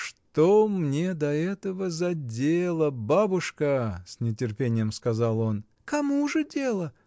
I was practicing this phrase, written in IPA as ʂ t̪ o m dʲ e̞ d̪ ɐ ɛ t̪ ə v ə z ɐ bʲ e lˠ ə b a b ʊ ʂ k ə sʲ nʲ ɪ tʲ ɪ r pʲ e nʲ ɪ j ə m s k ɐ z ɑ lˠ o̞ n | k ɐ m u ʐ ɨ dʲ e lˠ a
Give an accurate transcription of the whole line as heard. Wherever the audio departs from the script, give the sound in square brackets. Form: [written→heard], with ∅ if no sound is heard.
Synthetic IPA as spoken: ʂ t̪ o m [dʲ→nʲ] e̞ d̪ ɐ ɛ t̪ ə v ə z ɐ [bʲ→dʲ] e lˠ ə b a b ʊ ʂ k ə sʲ nʲ ɪ tʲ ɪ r pʲ e nʲ ɪ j ə m s k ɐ z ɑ lˠ o̞ n | k ɐ m u ʐ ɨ dʲ e lˠ [a→ə]